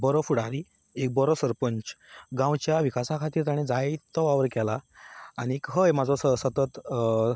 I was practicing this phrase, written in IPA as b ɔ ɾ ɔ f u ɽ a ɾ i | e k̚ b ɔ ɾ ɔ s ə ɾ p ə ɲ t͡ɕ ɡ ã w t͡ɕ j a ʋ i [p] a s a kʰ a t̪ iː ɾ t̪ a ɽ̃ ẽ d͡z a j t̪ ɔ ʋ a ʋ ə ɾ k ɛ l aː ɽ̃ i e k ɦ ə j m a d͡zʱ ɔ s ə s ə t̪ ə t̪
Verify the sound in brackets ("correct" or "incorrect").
incorrect